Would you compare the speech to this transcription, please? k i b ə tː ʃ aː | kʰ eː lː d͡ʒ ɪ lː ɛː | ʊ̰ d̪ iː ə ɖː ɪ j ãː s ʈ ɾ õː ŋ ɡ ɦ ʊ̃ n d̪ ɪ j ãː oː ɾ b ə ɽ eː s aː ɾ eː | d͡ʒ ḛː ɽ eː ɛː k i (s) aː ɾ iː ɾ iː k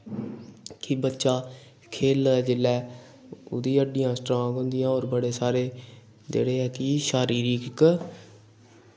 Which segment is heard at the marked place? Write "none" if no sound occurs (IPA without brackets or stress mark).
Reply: ʃ